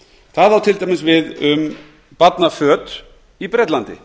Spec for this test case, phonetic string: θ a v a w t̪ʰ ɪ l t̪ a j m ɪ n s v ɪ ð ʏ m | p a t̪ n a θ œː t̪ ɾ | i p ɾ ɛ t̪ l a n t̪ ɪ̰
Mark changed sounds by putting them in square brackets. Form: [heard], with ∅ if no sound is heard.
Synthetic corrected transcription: θ a [ð] a w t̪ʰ ɪ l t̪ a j m ɪ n s v ɪ ð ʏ m | p a t̪ n a [f] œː t̪ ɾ | i p ɾ ɛ t̪ l a n t̪ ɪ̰

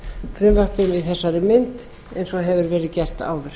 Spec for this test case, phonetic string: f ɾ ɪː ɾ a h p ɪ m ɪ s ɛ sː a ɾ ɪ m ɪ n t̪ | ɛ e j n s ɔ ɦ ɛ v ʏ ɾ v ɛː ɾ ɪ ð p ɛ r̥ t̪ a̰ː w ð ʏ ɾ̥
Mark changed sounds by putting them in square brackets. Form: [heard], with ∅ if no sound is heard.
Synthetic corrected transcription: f ɾ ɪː [l] a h p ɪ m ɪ [θ] ɛ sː a ɾ ɪ m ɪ n t̪ | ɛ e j n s ɔ ɦ ɛ v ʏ ɾ v ɛː ɾ ɪ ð [c] ɛ r̥ t̪ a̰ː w ð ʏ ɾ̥

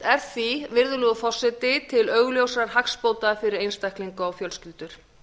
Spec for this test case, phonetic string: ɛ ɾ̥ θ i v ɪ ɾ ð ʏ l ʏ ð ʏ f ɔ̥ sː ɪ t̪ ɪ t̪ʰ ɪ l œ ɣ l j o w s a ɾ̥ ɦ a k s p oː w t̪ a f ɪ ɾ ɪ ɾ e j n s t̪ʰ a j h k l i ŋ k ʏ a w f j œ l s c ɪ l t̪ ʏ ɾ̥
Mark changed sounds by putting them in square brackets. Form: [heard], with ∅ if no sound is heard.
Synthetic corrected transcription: ɛ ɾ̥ θ i v ɪ ɾ ð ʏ l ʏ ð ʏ f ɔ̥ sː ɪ t̪ ɪ t̪ʰ ɪ l œ ɣ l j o w s a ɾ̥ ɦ a k s p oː w t̪ a f ɪ ɾ ɪ ɾ e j n s [t̪] a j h k l i ŋ k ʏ a w f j œ l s c ɪ l t̪ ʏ ɾ̥

